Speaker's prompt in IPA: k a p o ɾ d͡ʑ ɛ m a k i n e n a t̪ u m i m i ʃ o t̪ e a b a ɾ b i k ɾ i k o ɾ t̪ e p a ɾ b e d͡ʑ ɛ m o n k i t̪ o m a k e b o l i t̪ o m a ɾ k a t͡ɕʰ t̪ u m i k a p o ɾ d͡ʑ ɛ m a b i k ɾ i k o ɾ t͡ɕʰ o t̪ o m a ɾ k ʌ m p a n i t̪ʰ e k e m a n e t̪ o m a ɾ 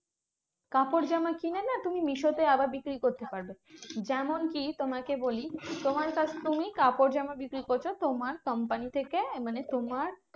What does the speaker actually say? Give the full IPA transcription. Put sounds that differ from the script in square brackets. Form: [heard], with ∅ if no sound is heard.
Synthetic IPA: k a p o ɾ d͡ʑ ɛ m a k i n e n a t̪ u m i m i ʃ o t̪ e a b a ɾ b i k ɾ i k o ɾ t̪ e p a ɾ b e d͡ʑ ɛ m o n k i t̪ o m a k e b o l i t̪ o m a ɾ k a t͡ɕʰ t̪ u m i k a p o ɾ d͡ʑ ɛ m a b i k ɾ i k o ɾ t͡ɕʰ o t̪ o m a ɾ k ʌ m p a n i t̪ʰ e k e m a n e t̪ o m a ɾ